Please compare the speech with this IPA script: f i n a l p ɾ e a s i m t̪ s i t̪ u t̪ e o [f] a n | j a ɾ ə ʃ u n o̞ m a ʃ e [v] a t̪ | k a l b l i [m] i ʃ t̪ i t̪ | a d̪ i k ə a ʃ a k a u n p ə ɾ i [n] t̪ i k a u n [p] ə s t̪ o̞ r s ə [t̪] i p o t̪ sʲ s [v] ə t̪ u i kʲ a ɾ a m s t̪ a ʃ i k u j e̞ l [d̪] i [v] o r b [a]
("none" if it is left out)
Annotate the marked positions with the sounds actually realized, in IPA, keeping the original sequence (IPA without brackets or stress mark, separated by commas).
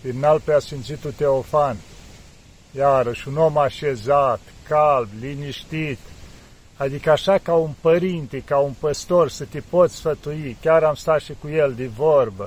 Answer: f, z, n, n, p, t̪, f, d̪, v, ə